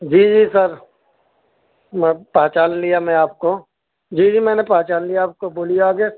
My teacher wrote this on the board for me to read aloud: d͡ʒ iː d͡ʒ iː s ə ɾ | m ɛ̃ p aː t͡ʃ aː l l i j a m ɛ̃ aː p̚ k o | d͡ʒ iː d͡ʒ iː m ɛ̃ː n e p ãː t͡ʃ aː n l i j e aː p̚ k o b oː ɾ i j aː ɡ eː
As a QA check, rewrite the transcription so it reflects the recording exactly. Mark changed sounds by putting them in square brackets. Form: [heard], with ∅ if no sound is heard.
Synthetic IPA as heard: d͡ʒ iː d͡ʒ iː s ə ɾ | m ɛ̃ p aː t͡ʃ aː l l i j a m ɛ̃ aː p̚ k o | d͡ʒ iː d͡ʒ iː m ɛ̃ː n e p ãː t͡ʃ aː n l i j [a] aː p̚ k o b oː [l] i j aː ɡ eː